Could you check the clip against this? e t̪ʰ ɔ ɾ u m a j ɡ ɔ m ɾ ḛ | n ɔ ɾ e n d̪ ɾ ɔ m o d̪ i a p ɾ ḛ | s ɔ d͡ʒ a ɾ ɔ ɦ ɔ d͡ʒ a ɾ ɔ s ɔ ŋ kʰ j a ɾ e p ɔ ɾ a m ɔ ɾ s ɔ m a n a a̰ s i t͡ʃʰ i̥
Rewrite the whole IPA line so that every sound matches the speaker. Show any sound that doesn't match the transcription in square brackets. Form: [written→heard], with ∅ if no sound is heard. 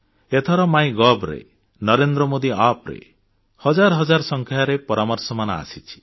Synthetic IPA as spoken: e t̪ʰ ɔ ɾ [u→ɔ] m a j ɡ ɔ [m→b] ɾ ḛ | n ɔ ɾ e n d̪ ɾ ɔ m o d̪ i a p ɾ ḛ | [s→h] ɔ d͡ʒ a ɾ ɔ ɦ ɔ d͡ʒ a ɾ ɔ s ɔ ŋ kʰ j a ɾ e p ɔ ɾ a m ɔ ɾ s ɔ m a n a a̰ s i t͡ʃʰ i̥

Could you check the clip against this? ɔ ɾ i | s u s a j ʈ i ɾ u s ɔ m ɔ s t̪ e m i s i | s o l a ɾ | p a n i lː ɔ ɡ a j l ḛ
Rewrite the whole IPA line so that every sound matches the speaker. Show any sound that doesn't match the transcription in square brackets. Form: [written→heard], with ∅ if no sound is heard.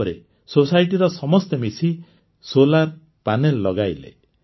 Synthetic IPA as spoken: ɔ ɾ [i→e] | s [u→o] s a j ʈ i ɾ [u→ɔ] s ɔ m ɔ s t̪ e m i s i | s o l a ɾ | p a n [i→e] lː ɔ ɡ a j l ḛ

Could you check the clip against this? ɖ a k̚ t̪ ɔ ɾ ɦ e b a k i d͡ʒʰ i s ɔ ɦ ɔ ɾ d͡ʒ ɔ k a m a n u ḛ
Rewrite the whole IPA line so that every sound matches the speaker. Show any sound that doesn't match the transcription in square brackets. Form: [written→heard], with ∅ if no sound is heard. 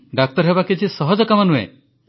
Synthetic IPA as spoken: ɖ a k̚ t̪ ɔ ɾ ɦ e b a k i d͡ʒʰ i s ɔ ɦ ɔ [ɾ→∅] d͡ʒ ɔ k a m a n u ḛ

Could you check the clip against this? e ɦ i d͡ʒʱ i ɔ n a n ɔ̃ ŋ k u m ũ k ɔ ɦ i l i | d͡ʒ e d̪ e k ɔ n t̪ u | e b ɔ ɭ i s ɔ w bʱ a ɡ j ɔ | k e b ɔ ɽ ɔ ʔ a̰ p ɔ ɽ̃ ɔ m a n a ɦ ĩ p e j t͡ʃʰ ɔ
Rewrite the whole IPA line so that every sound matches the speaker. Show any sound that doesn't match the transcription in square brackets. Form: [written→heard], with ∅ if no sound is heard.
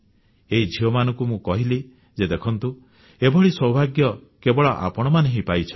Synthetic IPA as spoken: e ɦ i d͡ʒʱ i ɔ [n→m] a n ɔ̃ ŋ k u m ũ k ɔ ɦ i l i | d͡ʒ e d̪ e [k→kʰ] ɔ n t̪ u | e b ɔ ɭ i s ɔ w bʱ a ɡ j ɔ | k e b ɔ [ɽ→ɭ] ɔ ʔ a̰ p ɔ ɽ̃ ɔ m a n [a→e] ɦ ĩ p [e→a] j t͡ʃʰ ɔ

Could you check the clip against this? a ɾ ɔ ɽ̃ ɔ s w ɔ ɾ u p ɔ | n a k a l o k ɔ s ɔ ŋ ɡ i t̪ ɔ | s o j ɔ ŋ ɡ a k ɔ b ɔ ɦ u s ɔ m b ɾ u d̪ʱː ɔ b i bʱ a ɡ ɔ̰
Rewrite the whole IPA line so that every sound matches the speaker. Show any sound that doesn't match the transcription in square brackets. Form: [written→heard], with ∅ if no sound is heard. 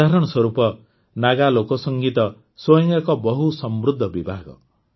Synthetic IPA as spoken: a ɾ ɔ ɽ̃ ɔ s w ɔ ɾ u p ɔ | n a [k→ɡ] a l o k ɔ s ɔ ŋ ɡ i t̪ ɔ | s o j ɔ ŋ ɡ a k ɔ b ɔ ɦ u s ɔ m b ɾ u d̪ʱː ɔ b i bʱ a ɡ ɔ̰

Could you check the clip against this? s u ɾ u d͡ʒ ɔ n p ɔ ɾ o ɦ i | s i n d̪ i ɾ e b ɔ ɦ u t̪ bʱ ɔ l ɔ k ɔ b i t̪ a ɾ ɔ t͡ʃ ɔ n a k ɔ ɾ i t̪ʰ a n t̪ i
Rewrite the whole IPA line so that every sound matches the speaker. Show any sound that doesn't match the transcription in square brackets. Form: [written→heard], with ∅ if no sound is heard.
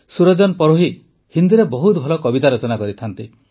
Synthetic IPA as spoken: s u ɾ [u→ɔ] d͡ʒ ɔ n p ɔ ɾ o ɦ i | [s→h] i n d̪ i ɾ e b ɔ ɦ u t̪ bʱ ɔ l ɔ k ɔ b i t̪ a ɾ ɔ t͡ʃ ɔ n a k ɔ ɾ i t̪ʰ a n t̪ i

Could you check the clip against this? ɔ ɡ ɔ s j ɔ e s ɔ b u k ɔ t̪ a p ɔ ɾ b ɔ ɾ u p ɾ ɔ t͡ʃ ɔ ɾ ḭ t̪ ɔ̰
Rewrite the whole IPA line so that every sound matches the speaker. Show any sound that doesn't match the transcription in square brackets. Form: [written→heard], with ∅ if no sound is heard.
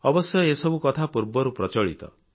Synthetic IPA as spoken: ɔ [ɡ→b] ɔ s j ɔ e s ɔ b u k ɔ [t̪→t̪ʰ] a p [ɔ→u] ɾ b ɔ ɾ u p ɾ ɔ t͡ʃ ɔ [ɾ→ɭ] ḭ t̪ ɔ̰

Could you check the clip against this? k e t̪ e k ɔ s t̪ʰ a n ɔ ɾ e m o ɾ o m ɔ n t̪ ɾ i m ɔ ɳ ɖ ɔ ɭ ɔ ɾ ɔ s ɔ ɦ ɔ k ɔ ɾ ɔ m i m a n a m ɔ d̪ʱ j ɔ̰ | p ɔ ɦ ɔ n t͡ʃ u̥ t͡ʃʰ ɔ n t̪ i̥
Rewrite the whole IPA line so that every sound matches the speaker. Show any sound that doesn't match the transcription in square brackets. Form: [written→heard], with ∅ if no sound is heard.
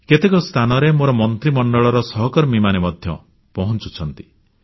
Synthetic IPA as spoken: k e t̪ e k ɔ s t̪ʰ a n ɔ ɾ e m o ɾ [o→ɔ] m ɔ n t̪ ɾ i m ɔ ɳ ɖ ɔ ɭ ɔ ɾ ɔ s ɔ ɦ ɔ k ɔ ɾ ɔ m i m a n [a→e] m ɔ d̪ʱ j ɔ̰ | p ɔ ɦ ɔ n t͡ʃ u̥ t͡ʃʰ ɔ n t̪ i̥

